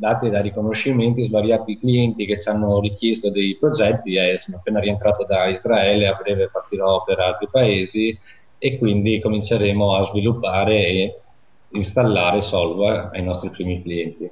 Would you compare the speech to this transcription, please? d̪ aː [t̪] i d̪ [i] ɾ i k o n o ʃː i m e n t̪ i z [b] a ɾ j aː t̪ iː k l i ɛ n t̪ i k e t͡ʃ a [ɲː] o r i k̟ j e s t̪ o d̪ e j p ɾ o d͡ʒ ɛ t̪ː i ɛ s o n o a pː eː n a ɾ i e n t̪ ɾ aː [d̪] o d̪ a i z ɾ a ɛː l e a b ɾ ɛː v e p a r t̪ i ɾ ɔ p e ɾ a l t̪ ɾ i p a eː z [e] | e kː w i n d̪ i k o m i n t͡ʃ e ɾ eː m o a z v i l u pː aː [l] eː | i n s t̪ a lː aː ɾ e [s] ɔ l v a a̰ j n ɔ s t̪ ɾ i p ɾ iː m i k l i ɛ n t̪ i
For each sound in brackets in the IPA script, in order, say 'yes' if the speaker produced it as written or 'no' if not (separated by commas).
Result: yes, no, no, no, no, no, no, yes